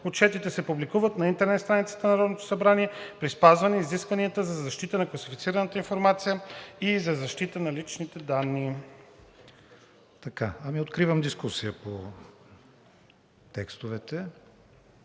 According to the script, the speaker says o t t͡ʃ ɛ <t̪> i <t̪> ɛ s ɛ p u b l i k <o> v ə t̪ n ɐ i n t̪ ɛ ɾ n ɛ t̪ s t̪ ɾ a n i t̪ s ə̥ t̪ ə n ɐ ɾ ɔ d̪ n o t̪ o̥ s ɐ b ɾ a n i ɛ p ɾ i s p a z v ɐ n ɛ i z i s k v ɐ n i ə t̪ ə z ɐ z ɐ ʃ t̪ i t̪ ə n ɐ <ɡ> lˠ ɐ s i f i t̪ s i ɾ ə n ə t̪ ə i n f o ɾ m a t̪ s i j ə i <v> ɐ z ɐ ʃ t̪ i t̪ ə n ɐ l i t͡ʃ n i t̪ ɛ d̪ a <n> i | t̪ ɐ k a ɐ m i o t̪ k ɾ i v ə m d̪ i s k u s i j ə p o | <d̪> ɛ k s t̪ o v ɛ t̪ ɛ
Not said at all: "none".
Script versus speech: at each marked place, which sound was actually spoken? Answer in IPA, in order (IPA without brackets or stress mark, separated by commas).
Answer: t̪, t̪, u, k, z, nː, t̪